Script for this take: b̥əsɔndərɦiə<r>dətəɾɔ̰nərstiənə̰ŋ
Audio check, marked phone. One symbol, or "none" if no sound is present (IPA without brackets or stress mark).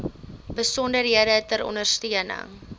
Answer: none